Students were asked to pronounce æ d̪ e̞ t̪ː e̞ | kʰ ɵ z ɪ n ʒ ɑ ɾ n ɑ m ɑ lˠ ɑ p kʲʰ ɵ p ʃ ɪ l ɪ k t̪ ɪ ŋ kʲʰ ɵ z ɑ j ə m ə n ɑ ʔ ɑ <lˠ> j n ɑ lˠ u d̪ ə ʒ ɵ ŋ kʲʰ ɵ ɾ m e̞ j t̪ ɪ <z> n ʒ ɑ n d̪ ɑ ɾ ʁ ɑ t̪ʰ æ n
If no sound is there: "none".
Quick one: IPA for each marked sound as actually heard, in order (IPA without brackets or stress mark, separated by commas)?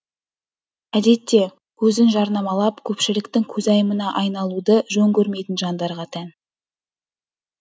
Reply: none, none